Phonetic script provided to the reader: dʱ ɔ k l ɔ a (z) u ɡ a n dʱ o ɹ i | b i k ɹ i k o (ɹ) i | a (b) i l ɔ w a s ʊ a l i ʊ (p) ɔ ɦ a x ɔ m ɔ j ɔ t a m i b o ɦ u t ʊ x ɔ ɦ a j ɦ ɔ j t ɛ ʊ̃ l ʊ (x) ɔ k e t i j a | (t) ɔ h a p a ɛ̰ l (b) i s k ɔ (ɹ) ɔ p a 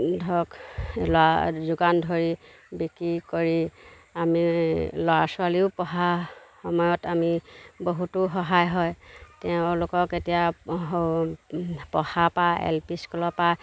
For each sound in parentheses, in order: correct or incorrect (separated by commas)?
correct, correct, incorrect, correct, incorrect, incorrect, incorrect, incorrect